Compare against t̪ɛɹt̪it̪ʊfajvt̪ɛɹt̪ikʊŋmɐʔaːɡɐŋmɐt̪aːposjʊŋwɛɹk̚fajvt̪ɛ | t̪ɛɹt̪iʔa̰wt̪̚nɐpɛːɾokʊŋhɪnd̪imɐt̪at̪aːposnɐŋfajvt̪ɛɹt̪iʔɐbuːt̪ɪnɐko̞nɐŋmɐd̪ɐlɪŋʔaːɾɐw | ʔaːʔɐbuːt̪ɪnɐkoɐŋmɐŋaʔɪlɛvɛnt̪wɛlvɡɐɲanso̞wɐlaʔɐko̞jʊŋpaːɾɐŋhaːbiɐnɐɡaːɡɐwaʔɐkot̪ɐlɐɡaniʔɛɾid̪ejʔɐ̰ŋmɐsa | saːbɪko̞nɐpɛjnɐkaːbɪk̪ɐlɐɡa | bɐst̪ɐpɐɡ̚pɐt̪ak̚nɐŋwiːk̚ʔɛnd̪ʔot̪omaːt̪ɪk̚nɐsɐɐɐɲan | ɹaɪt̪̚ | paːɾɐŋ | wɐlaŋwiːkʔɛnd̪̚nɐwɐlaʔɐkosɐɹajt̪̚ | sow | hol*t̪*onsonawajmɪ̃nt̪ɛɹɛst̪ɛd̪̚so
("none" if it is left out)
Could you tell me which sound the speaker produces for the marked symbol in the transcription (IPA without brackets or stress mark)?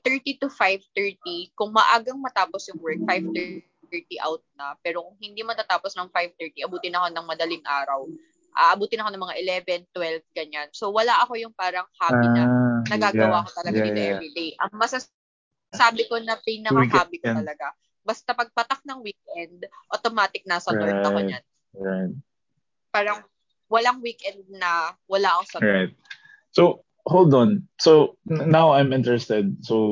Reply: d̪